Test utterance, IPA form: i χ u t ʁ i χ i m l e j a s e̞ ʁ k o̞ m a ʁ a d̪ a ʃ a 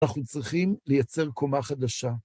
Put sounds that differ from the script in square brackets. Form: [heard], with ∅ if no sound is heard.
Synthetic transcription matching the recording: [a] χ u [t͡s] ʁ i χ i m l e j a [t͡s] e̞ ʁ k o̞ m a [χ] a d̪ a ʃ a